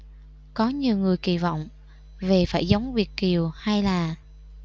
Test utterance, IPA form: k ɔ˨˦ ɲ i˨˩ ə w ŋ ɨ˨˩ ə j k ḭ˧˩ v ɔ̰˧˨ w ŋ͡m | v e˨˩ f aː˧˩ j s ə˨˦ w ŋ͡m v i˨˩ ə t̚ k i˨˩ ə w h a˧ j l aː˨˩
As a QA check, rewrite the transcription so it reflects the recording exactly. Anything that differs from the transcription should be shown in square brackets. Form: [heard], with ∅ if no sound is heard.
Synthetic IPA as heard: k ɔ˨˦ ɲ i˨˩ ə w ŋ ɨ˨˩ ə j k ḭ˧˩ v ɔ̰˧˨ w ŋ͡m | v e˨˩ f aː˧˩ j [z] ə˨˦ w ŋ͡m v i˨˩ ə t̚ k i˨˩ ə w h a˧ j l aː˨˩

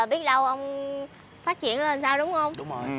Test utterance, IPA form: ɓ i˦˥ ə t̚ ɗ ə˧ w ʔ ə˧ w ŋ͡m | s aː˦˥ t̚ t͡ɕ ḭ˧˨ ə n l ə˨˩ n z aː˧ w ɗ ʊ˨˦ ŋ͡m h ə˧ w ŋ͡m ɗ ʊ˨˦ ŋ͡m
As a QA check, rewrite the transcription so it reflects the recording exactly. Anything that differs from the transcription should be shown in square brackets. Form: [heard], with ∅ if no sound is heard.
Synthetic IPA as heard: ɓ i˦˥ ə t̚ ɗ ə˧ w ʔ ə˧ w ŋ͡m | [f] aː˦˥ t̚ t͡ɕ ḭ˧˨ ə n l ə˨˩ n [s] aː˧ w ɗ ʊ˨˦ ŋ͡m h ə˧ w ŋ͡m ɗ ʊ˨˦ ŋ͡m

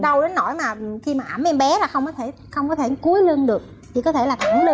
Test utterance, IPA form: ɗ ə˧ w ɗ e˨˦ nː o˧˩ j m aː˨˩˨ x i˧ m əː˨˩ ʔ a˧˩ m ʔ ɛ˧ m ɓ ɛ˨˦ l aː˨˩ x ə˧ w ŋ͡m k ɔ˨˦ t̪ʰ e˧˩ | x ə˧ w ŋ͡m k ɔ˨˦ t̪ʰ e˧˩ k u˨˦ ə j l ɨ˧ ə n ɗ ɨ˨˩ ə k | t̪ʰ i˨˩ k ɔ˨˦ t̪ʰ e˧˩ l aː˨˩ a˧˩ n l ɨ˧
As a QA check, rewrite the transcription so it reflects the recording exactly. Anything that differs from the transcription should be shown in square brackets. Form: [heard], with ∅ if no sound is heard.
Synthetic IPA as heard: ɗ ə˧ w ɗ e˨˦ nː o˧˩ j m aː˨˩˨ x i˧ m [aː˨˩] ʔ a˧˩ m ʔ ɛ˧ m ɓ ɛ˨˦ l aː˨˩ x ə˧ w ŋ͡m k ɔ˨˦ t̪ʰ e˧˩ | x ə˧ w ŋ͡m k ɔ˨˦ t̪ʰ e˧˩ k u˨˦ ə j l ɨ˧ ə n ɗ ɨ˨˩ ə k | t̪ʰ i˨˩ k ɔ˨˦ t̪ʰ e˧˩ l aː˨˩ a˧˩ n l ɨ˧

